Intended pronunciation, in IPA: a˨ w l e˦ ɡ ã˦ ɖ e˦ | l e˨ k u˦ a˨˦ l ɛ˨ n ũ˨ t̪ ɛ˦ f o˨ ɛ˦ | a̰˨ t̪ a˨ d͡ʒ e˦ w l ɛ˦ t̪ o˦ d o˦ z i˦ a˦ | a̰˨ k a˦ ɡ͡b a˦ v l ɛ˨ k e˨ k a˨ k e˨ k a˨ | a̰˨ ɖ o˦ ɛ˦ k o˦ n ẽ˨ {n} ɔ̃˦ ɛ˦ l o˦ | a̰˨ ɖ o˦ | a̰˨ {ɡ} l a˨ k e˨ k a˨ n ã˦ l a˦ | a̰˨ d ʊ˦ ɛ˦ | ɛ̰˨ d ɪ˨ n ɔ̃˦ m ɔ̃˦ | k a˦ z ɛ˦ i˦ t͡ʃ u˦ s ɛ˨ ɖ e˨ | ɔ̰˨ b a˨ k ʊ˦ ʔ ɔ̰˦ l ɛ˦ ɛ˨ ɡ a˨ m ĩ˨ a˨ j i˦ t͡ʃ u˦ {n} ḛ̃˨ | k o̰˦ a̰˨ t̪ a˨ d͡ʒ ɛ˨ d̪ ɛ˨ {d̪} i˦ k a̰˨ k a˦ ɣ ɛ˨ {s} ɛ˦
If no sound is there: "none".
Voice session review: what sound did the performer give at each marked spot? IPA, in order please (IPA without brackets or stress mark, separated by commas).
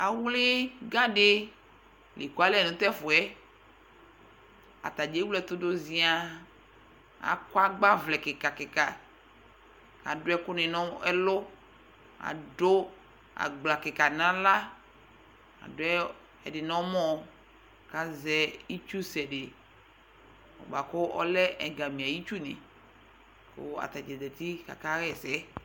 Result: n, ɡ͡b, n, t̪, s